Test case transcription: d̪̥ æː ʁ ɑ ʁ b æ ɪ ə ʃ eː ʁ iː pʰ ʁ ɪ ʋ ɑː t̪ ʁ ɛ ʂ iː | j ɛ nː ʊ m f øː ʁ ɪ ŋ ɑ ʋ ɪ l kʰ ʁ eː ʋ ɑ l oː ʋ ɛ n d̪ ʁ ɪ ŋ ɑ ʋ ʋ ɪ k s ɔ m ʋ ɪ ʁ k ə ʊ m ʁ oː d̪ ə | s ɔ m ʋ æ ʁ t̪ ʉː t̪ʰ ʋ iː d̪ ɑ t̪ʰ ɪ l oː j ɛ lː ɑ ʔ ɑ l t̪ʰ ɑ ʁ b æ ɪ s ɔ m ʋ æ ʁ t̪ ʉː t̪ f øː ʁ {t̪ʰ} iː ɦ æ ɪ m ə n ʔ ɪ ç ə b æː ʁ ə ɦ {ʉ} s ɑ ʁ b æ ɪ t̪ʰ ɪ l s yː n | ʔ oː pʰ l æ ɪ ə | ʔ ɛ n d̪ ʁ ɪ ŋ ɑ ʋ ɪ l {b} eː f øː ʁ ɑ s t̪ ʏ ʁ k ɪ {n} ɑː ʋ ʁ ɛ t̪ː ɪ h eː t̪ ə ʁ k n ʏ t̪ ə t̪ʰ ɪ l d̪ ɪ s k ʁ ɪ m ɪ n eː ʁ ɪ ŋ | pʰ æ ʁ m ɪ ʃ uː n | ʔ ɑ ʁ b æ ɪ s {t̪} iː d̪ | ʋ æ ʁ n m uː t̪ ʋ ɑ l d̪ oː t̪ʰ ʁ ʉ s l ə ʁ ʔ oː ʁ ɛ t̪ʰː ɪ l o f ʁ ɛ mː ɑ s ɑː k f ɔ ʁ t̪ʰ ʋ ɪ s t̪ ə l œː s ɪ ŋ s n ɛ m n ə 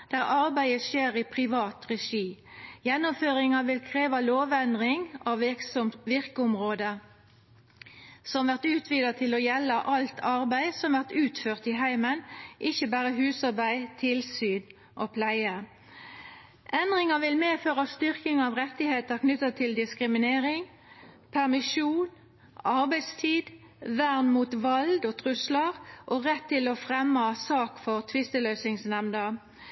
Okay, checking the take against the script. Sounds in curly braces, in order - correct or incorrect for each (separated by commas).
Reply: incorrect, incorrect, incorrect, incorrect, incorrect